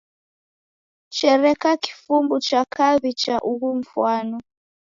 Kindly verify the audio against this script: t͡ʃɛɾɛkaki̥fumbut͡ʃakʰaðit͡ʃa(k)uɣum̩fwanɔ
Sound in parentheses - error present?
yes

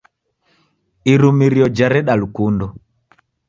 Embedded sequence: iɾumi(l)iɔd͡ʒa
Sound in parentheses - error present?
yes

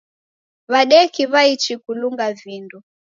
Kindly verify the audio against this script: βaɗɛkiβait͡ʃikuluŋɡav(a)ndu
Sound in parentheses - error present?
yes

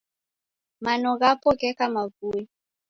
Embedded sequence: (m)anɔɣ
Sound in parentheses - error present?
no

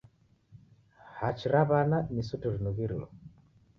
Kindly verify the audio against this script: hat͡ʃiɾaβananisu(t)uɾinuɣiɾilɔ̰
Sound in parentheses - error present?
no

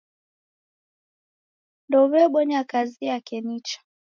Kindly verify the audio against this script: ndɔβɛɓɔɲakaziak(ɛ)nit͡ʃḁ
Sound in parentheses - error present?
no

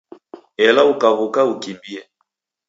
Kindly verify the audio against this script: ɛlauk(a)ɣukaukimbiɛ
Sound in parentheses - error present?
no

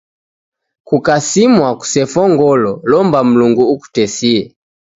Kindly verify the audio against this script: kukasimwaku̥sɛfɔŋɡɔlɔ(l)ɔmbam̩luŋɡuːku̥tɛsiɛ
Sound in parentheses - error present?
no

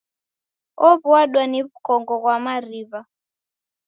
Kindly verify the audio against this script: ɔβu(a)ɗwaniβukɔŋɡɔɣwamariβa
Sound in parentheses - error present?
no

